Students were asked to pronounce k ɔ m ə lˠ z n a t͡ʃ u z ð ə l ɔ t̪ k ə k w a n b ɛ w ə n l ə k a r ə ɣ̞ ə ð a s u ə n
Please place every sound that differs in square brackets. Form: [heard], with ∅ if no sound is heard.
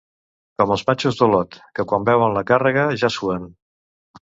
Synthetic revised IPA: k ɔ m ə lˠ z [m] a t͡ʃ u z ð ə l ɔ t̪ k ə k w a [m] b ɛ w ə n l ə k a r ə ɣ̞ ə [ʒ] a s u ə n